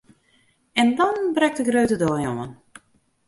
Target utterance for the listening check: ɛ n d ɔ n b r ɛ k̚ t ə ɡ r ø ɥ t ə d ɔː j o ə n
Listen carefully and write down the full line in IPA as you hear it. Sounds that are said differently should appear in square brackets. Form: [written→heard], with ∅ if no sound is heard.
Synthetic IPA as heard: ɛ n d ɔ n b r ɛ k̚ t ə ɡ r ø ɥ t ə d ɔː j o ə n